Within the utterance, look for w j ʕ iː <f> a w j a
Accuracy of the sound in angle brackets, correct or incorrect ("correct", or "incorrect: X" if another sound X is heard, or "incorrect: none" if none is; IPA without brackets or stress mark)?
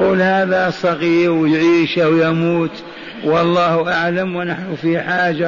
incorrect: ʃ